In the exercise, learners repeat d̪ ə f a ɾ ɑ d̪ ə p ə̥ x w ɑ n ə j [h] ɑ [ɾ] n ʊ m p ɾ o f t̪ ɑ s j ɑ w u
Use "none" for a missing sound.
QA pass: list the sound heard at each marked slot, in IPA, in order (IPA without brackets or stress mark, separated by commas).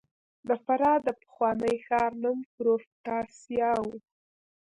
x, ɾ